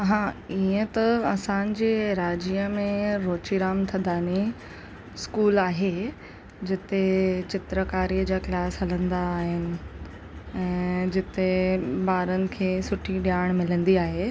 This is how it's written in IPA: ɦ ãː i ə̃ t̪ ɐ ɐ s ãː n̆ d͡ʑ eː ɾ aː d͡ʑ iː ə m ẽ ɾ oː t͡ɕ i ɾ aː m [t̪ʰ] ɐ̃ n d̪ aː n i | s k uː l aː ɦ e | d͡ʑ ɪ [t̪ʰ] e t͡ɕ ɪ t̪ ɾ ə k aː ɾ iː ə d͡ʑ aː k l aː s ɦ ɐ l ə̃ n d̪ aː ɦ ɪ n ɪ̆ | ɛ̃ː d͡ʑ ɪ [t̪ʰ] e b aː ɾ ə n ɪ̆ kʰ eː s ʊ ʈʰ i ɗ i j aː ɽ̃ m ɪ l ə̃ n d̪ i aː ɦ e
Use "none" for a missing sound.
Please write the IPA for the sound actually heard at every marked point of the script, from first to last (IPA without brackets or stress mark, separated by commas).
t̪ʰ, t̪, t̪